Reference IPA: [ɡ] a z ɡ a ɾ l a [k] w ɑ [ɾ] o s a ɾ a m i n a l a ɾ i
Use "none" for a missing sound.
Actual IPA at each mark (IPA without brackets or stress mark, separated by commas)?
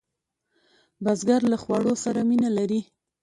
b, x, ɽ